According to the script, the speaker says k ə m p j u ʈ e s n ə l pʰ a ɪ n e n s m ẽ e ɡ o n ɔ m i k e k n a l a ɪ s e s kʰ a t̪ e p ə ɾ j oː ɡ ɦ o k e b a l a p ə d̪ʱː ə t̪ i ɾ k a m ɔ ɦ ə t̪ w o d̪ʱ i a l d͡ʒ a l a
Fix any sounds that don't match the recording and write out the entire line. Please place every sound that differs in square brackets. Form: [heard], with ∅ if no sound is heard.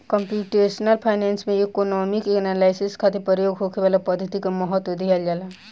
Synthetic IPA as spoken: k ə m p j u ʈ e s n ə l pʰ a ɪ n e n s m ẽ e [k] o n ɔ m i k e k n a l a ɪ s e s kʰ a t̪ e p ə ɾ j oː ɡ ɦ o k e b a l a p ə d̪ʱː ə t̪ i [∅] k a m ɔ ɦ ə t̪ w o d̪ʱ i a l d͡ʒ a l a